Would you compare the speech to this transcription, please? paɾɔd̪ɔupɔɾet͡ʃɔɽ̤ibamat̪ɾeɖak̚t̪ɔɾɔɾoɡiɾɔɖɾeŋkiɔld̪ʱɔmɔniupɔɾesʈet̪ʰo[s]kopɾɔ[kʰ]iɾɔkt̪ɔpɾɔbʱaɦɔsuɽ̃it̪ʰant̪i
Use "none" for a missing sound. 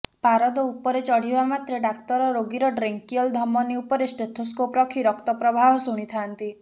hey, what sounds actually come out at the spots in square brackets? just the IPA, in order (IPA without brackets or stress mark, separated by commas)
s, kʰ